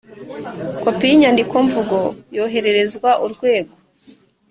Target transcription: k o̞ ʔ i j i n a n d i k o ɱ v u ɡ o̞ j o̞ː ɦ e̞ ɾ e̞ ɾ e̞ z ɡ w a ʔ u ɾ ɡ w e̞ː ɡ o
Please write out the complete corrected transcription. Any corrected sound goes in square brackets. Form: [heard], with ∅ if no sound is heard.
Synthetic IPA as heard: k o̞ [p] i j i [ɲ] a n d i k o ɱ v u ɡ o̞ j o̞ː ɦ e̞ ɾ e̞ ɾ e̞ z ɡ w a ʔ u ɾ ɡ w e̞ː ɡ o

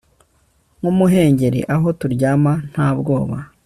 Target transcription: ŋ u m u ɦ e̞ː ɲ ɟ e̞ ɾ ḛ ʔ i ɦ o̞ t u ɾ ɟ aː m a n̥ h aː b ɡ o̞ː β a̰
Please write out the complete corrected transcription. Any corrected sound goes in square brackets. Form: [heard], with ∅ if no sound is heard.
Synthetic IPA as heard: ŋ u m u ɦ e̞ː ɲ ɟ e̞ ɾ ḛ ʔ [a] ɦ o̞ t u ɾ ɟ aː m a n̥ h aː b ɡ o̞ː β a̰

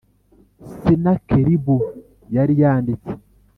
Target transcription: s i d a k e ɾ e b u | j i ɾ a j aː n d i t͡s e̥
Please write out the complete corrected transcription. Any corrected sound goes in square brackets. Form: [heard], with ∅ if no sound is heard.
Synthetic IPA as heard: s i [n] a k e ɾ [i] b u | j [a] ɾ [i] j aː n d i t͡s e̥

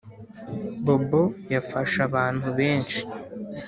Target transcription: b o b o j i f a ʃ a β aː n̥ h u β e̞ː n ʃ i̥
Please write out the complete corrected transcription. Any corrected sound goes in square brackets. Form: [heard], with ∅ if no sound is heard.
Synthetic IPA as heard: b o b o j [a] f a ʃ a β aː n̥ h u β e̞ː n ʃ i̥

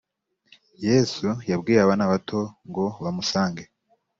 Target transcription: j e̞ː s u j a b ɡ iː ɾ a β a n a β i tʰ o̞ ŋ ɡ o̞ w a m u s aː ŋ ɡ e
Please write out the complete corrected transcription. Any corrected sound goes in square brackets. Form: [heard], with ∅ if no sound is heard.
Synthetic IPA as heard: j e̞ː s u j a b ɡ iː ɾ a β a n a β [a] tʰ o̞ ŋ ɡ o̞ [β] a m u s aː ŋ ɡ e

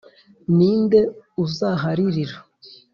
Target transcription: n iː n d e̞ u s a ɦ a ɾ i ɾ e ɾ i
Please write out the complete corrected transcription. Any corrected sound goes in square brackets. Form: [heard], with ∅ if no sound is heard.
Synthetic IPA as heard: n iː n d e̞ u [z] a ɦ a ɾ i ɾ [i] ɾ [a]

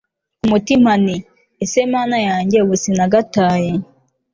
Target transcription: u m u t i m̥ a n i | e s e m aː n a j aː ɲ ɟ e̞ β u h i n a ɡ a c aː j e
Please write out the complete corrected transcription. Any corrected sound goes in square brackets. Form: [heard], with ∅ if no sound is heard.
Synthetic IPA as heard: u m u t i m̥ a n i | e s e m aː n a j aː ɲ ɟ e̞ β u [s] i n a ɡ a [t] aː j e

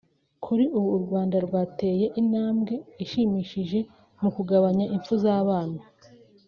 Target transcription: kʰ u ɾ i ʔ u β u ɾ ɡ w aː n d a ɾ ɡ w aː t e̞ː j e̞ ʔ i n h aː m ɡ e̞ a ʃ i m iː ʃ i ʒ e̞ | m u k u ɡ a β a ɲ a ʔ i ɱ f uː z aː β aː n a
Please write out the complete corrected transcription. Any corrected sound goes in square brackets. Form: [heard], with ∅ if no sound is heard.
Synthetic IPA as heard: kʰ u ɾ i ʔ u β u ɾ ɡ w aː n d a ɾ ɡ w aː t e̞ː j e̞ ʔ i n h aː m ɡ e̞ [i] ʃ i m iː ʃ i ʒ e̞ | m u k u ɡ a β a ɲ a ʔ i ɱ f [u] z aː β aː n a

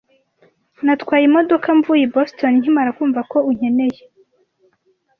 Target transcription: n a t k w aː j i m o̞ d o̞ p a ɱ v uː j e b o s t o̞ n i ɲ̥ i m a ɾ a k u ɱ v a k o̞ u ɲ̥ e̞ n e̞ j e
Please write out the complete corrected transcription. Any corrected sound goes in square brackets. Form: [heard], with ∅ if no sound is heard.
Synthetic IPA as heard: n a t k w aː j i m o̞ d o̞ [k] a ɱ v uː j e b o s t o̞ n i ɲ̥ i m a ɾ a k [uː] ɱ v a k o̞ u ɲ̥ e̞ n e̞ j e

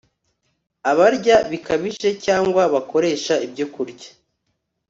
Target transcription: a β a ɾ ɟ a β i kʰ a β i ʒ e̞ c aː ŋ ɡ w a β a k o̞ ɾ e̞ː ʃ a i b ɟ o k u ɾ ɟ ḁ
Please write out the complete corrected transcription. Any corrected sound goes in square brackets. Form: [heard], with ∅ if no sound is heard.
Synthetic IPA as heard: a β a ɾ ɟ a β i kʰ a β i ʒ e̞ c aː ŋ ɡ w a β a k o̞ ɾ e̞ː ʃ a i b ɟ o k u ɾ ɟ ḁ

